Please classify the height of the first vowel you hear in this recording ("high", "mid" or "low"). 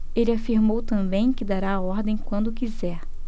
mid